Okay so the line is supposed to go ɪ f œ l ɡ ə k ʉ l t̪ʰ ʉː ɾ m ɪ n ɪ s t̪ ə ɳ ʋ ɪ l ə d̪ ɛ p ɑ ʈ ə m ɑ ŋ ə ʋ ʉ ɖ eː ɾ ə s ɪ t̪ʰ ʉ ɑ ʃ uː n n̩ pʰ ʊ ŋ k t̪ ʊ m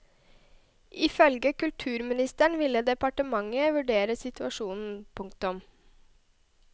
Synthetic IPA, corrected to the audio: ɪ f œ l ɡ ə k ʉ l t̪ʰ ʉː ɾ m ɪ n ɪ s t̪ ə ɳ ʋ ɪ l ə d̪ ɛ p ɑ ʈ ə m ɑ ŋ ə ʋ ʉ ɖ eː ɾ ə s ɪ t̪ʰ ʉ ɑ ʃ uː n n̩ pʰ ʊ ŋ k t̪ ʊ m